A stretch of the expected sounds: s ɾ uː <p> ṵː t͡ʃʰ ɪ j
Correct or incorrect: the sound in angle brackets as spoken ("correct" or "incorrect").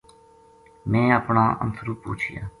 correct